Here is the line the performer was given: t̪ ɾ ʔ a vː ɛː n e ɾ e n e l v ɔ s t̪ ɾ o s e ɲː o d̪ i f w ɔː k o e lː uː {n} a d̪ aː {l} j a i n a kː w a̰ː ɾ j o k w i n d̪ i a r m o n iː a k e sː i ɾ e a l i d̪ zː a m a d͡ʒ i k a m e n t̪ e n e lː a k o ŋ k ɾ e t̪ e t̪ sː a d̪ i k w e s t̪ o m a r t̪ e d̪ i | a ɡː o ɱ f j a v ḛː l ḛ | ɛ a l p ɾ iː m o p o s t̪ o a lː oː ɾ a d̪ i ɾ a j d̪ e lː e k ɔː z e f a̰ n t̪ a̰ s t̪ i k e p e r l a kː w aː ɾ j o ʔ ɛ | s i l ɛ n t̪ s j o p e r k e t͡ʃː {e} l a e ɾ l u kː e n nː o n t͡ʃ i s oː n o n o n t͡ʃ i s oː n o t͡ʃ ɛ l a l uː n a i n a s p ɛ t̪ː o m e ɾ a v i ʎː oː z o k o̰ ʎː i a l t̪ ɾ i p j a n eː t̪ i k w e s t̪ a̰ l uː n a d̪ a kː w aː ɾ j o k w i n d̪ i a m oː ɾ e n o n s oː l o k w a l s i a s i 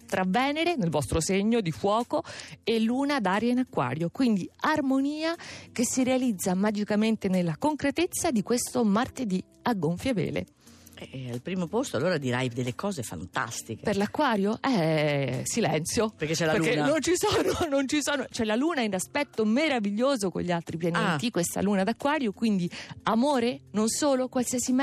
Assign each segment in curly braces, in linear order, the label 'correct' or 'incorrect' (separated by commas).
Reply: correct, incorrect, incorrect